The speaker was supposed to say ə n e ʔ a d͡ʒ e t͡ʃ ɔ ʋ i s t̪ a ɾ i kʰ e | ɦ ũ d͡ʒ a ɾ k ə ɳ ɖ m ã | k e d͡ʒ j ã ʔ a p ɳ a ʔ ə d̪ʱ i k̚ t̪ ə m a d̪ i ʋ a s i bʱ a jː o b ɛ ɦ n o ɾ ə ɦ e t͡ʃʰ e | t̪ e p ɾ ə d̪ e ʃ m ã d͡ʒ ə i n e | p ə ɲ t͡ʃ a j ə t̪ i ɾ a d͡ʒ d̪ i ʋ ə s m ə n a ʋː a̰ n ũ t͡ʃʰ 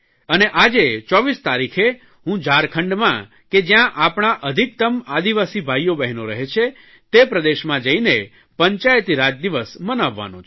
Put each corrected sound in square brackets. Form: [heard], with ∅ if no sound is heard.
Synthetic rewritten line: ə n e ʔ a d͡ʒ e t͡ʃ ɔ ʋ i s t̪ a ɾ i kʰ e | ɦ ũ d͡ʒ a ɾ [kʰ] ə ɳ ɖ m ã | k e d͡ʒ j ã ʔ a p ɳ a ʔ ə d̪ʱ i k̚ t̪ ə m a d̪ i ʋ a s i bʱ a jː o b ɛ ɦ n o ɾ ə ɦ e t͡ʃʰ e | t̪ e p ɾ ə d̪ e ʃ m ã d͡ʒ ə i n e | p ə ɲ t͡ʃ a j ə t̪ i ɾ a d͡ʒ d̪ i ʋ ə s m ə n a ʋː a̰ n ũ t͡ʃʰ